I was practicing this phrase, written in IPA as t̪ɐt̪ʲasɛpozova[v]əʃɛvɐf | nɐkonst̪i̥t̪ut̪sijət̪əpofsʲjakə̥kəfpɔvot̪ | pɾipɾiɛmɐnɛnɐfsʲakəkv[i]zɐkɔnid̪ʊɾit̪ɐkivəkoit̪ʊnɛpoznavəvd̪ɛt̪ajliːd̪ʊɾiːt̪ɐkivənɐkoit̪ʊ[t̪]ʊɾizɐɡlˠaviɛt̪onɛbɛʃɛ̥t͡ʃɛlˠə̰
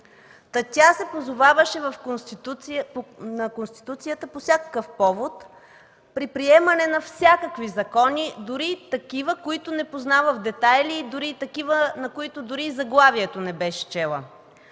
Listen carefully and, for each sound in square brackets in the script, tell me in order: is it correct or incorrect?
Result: correct, correct, incorrect: d̪

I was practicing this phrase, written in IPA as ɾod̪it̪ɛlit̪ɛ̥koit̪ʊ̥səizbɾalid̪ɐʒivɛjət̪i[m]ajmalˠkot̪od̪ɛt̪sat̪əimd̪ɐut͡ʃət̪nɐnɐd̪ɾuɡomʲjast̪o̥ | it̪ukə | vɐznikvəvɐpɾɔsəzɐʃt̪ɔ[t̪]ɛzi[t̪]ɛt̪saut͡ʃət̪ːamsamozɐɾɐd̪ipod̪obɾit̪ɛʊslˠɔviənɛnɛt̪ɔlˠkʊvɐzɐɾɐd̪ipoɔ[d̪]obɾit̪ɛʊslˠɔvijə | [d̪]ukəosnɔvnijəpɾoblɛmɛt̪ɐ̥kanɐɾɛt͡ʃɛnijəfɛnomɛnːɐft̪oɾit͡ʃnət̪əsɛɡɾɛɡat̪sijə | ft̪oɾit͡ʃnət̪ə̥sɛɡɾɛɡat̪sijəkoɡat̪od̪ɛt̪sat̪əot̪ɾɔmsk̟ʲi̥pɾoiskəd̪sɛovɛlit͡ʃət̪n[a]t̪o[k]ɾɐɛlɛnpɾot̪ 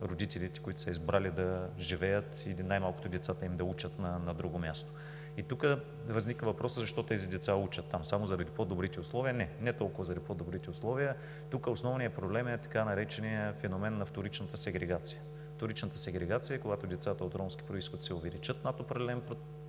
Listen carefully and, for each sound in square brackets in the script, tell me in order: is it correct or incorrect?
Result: incorrect: n, correct, incorrect: d̪, correct, incorrect: t̪, correct, incorrect: p

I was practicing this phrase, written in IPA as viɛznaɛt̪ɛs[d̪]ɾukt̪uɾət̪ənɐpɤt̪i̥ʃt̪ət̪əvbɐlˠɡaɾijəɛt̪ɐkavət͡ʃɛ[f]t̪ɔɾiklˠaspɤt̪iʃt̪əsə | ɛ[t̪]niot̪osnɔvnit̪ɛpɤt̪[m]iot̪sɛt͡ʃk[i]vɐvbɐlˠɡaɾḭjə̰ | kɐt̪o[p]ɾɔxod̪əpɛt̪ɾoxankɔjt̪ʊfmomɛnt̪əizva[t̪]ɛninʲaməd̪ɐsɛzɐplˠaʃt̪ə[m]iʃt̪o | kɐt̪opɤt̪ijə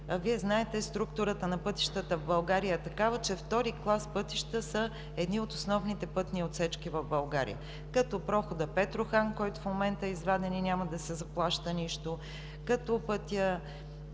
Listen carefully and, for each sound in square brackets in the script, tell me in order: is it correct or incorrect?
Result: incorrect: t̪, correct, incorrect: d̪, incorrect: n, correct, correct, incorrect: d̪, incorrect: n

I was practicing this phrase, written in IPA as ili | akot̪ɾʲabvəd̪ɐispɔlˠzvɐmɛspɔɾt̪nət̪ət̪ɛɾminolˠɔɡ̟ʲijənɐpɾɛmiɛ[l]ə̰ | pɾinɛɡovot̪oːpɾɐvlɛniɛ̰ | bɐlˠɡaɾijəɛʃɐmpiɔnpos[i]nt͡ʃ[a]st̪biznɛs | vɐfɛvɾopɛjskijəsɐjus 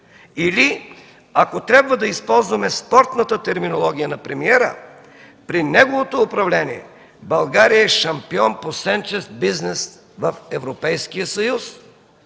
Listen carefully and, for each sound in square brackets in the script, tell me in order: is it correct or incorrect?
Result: incorrect: ɾ, incorrect: ɛ, incorrect: ɛ

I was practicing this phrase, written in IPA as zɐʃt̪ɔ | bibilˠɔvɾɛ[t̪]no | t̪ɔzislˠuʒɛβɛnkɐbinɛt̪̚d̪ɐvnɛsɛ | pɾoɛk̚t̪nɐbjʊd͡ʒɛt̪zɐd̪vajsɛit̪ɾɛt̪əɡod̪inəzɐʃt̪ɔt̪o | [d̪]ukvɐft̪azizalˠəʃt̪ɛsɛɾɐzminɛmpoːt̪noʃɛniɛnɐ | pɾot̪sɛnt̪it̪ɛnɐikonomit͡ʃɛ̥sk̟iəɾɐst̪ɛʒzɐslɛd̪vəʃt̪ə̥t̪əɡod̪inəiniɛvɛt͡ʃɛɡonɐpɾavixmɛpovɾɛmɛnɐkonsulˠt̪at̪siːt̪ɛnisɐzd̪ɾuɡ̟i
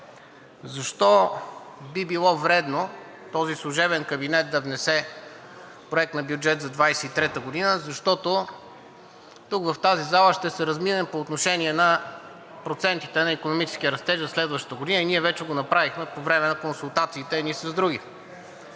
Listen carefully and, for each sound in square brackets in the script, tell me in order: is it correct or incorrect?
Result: incorrect: d̪, incorrect: t̪

